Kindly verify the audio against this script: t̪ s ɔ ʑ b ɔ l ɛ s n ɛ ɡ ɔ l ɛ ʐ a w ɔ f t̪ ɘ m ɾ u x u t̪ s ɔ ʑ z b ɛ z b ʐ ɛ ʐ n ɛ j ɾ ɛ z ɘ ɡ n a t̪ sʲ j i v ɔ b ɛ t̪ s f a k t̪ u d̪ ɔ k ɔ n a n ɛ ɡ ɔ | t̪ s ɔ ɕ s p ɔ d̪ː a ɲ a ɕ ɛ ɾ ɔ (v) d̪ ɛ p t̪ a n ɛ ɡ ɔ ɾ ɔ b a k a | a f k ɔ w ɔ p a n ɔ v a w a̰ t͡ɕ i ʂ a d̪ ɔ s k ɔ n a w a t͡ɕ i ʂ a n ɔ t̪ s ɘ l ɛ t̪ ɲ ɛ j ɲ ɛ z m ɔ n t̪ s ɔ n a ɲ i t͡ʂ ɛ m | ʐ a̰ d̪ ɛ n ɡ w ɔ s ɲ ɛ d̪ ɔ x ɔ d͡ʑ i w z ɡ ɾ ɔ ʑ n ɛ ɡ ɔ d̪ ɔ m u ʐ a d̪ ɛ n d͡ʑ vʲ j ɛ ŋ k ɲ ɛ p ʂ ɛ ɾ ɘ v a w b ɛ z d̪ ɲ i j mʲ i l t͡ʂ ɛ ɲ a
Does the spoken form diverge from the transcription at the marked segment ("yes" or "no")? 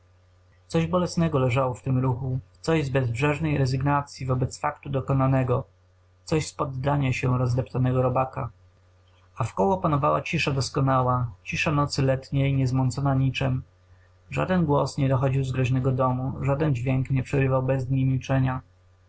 yes